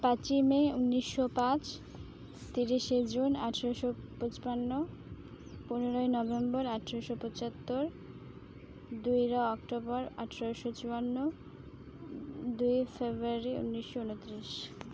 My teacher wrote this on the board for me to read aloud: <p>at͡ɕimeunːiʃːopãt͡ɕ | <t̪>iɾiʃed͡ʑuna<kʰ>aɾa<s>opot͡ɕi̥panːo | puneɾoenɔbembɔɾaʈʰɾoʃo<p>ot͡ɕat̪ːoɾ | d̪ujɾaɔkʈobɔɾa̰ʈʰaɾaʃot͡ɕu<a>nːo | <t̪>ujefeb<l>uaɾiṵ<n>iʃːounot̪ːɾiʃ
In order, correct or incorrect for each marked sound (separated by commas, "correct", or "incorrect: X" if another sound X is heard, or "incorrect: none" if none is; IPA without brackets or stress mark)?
correct, correct, incorrect: ʈʰ, incorrect: ʃ, correct, correct, incorrect: d̪, incorrect: ɾ, incorrect: nː